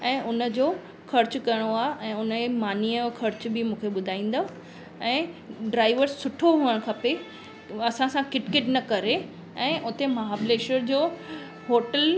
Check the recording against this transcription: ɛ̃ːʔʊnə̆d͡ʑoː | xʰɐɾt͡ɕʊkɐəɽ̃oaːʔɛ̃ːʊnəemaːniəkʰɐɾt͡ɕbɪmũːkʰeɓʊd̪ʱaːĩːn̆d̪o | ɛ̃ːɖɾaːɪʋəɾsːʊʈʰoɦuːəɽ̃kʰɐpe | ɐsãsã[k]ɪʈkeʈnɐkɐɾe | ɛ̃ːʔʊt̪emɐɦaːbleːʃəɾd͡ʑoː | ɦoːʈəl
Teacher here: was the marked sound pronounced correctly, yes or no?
yes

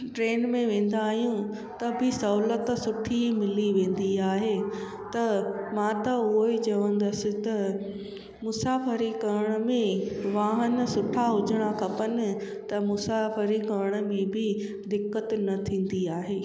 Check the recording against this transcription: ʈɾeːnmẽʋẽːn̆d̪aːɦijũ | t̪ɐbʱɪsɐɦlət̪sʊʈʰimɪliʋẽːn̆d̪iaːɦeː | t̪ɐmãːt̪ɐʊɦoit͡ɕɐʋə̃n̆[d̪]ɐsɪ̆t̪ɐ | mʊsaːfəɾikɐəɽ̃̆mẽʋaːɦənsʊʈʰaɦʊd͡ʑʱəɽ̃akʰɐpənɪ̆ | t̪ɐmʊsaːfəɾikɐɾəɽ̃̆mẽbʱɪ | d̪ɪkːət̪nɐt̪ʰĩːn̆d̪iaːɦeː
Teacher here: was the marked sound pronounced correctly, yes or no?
yes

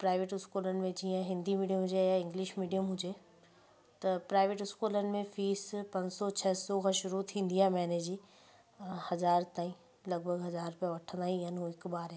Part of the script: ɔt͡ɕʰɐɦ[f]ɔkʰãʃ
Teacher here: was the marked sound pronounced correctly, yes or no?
no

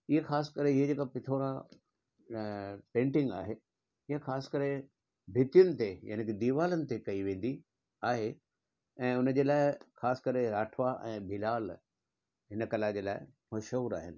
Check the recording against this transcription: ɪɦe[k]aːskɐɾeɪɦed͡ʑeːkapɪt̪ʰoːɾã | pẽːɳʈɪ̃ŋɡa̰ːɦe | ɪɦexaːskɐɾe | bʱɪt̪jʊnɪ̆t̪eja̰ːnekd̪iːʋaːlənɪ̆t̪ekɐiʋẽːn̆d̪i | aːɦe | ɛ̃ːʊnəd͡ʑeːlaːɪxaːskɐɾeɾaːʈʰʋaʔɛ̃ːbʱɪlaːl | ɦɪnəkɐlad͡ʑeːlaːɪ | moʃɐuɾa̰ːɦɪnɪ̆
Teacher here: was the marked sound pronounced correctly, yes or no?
no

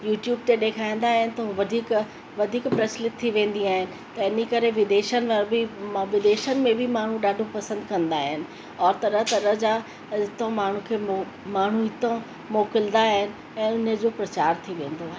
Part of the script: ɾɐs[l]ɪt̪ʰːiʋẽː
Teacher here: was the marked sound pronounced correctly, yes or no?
yes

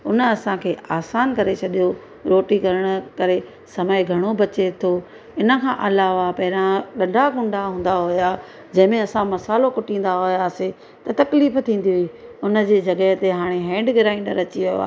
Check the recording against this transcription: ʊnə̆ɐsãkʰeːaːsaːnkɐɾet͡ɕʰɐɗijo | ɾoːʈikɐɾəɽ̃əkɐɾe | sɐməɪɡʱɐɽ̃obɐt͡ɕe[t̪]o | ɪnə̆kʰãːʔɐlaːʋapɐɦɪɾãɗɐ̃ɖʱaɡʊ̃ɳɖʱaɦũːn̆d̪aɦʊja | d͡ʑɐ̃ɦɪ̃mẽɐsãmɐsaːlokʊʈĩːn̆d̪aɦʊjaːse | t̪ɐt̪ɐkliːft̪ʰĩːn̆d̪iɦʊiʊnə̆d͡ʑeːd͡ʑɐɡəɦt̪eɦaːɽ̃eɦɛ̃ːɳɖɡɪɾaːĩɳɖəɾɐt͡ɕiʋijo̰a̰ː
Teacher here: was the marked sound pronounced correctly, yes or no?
no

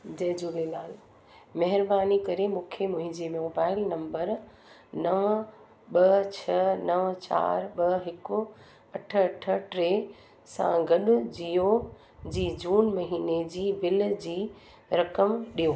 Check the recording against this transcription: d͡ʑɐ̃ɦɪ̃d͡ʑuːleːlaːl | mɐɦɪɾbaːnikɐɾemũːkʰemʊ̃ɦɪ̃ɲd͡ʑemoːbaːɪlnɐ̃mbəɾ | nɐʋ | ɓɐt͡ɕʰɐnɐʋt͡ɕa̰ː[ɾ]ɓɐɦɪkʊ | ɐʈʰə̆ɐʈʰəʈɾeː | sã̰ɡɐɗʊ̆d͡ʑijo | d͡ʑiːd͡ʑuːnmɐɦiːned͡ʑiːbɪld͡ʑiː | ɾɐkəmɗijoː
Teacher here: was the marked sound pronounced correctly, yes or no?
yes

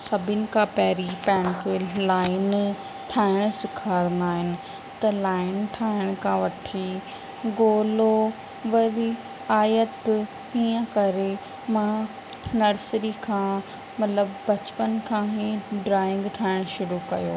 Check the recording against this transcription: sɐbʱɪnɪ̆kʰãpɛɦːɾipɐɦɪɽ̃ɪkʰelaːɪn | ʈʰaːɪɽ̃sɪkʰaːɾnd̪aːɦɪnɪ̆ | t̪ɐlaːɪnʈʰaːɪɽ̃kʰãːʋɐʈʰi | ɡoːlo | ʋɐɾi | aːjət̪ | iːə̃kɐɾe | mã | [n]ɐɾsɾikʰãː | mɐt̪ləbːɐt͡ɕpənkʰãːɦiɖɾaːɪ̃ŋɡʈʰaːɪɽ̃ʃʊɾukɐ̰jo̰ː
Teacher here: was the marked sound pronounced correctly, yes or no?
yes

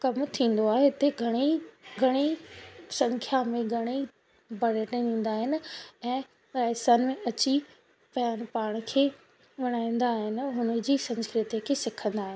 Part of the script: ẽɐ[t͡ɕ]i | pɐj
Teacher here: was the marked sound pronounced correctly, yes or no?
yes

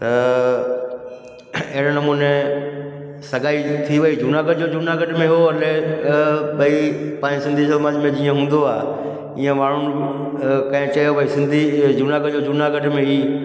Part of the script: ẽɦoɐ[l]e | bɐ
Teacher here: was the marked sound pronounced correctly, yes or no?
yes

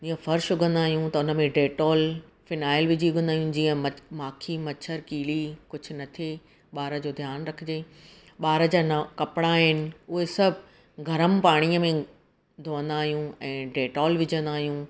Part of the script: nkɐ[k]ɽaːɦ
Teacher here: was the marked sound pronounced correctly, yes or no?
no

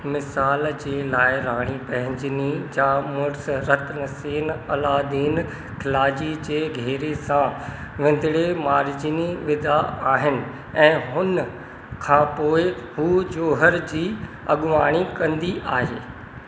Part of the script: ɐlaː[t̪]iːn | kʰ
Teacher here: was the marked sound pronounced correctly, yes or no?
no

